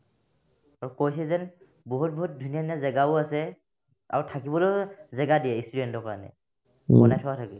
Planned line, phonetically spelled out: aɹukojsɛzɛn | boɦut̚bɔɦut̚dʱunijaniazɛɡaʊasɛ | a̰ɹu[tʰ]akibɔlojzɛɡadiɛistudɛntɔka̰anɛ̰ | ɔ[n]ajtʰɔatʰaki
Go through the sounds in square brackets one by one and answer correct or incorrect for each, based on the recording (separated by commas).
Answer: correct, correct